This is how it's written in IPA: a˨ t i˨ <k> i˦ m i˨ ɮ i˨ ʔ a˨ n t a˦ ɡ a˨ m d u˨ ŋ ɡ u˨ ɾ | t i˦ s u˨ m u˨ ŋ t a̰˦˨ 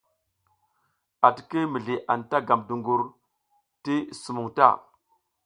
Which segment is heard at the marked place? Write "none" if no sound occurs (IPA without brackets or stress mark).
k